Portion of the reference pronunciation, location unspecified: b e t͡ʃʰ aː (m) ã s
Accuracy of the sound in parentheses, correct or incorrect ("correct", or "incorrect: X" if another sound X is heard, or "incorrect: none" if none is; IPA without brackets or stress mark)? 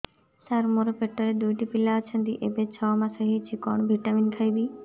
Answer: correct